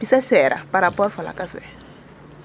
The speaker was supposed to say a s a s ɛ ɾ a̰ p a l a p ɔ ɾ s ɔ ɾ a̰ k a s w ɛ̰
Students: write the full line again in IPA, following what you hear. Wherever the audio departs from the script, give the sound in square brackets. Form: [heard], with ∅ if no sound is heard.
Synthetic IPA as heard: [i] s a s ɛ ɾ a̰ p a [ɾ] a p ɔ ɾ [f] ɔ [l] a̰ k a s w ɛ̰